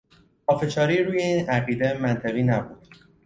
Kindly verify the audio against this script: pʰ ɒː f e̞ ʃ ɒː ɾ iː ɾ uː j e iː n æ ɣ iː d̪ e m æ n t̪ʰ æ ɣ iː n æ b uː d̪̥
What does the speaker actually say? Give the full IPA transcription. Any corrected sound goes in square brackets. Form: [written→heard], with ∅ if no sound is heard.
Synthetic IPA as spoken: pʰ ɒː f e̞ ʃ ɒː ɾ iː ɾ uː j e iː n æ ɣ iː d̪ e m æ n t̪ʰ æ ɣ iː n æ b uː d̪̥

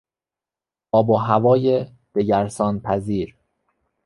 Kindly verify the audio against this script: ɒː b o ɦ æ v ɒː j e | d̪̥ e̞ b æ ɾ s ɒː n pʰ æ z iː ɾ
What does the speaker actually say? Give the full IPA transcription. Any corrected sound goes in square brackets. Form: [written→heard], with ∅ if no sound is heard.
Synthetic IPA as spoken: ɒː b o ɦ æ v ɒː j e | d̪̥ e̞ [b→ɟ] æ ɾ s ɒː n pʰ æ z iː ɾ

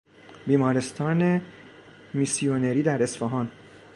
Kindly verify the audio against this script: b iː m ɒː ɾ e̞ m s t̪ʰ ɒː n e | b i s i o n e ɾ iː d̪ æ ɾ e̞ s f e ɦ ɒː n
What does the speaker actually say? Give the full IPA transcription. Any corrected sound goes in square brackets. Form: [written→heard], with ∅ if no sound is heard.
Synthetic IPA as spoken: b iː m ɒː ɾ e̞ [m→∅] s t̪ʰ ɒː n e | [b→m] i s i o n e ɾ iː d̪ æ ɾ e̞ s f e ɦ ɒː n

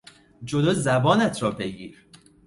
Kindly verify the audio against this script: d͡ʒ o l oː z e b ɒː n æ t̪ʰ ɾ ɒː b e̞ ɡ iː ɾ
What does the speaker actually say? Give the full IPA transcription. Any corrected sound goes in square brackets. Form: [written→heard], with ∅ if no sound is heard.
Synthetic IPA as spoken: d͡ʒ o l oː z [e→æ] b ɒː n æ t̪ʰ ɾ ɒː b e̞ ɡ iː ɾ

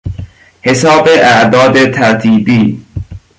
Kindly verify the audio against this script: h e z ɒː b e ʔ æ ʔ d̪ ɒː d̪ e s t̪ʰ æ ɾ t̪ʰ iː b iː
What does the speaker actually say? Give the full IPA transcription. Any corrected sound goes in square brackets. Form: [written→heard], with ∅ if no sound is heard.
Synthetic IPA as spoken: h e [z→s] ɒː b e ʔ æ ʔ d̪ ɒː d̪ e [s→∅] t̪ʰ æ ɾ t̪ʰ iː b iː

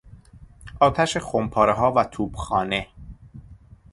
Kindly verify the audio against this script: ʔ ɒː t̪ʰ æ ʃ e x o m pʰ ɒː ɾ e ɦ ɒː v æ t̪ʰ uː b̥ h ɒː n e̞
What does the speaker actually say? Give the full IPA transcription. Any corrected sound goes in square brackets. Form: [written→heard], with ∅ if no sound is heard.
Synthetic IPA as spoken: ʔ ɒː t̪ʰ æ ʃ e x o m pʰ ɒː ɾ e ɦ ɒː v æ t̪ʰ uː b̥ [h→x] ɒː n e̞

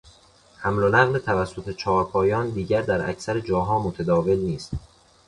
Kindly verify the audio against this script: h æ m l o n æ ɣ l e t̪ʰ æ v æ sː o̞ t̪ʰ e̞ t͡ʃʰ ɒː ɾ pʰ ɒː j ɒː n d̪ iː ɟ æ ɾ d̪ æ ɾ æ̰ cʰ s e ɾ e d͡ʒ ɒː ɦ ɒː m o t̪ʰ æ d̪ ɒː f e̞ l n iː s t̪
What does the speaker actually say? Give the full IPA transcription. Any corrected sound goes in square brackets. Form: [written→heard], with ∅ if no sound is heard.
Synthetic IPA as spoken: h æ m l o n æ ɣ l e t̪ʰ æ v æ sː o̞ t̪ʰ e̞ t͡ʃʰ ɒː ɾ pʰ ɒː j ɒː n d̪ iː ɟ æ ɾ d̪ æ ɾ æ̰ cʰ s [e→æ] ɾ e d͡ʒ ɒː ɦ ɒː m o t̪ʰ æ d̪ ɒː [f→v] e̞ l n iː s t̪

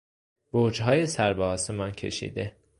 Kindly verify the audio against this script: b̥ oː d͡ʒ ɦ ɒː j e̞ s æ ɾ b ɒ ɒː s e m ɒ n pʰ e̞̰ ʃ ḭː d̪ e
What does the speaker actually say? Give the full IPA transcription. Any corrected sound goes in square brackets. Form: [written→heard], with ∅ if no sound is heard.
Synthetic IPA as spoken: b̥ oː d͡ʒ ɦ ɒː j e̞ s æ ɾ b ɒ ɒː s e m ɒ n [pʰ→cʰ] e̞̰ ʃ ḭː d̪ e

